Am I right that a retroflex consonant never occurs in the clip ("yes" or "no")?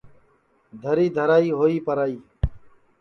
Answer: yes